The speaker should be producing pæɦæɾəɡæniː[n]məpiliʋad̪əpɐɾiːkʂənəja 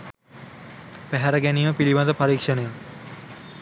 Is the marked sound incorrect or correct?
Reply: incorrect